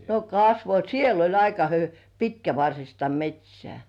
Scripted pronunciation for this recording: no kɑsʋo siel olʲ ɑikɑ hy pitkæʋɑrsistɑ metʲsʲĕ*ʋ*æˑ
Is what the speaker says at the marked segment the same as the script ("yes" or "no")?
no